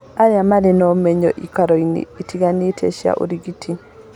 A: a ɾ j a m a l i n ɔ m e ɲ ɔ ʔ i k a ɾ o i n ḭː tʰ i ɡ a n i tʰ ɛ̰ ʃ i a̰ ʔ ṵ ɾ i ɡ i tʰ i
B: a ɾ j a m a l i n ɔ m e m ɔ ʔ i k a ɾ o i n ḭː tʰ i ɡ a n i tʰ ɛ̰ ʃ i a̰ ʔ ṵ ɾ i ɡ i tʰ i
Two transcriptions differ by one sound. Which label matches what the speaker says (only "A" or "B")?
A